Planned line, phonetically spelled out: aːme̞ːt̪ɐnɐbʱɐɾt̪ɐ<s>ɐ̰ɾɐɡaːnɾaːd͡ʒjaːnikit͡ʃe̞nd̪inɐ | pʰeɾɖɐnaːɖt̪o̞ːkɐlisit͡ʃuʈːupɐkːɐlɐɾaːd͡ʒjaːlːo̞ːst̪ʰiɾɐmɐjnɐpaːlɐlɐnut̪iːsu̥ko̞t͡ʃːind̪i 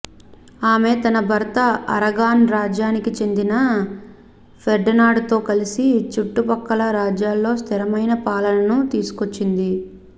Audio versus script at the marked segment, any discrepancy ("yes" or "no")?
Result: yes